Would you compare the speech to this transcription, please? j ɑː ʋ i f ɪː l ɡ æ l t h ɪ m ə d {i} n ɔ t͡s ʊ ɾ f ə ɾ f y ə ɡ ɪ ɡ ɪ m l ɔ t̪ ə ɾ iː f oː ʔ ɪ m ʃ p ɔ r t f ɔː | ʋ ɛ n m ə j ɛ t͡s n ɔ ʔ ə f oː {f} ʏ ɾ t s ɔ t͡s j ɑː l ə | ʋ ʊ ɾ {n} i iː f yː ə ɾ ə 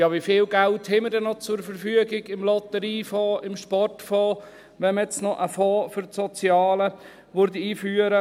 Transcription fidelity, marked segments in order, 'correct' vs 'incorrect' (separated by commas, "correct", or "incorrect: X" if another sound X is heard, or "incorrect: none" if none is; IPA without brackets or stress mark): incorrect: ɛ, correct, incorrect: d